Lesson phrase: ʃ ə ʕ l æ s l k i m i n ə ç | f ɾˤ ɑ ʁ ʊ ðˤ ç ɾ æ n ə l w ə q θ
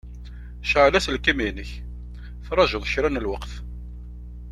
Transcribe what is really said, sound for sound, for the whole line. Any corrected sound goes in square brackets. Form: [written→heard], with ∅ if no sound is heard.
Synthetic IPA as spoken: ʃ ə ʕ l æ s l k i m i n ə ç | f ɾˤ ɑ [ʁ→ʒ] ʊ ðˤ ç ɾ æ n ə l w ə q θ